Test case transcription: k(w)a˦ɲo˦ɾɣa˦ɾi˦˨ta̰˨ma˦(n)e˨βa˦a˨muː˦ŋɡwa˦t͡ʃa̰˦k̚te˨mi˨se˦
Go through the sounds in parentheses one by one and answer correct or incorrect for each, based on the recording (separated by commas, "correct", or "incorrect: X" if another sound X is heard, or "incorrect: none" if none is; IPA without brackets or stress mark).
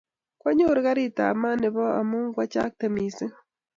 correct, correct